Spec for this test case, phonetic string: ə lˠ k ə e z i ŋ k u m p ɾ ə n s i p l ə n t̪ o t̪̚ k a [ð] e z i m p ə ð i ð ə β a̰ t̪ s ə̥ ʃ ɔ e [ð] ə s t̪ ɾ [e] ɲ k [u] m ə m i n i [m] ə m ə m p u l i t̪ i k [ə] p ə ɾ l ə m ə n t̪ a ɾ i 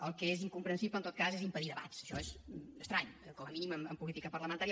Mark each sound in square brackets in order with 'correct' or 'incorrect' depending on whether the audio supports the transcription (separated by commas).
incorrect, incorrect, incorrect, incorrect, correct, correct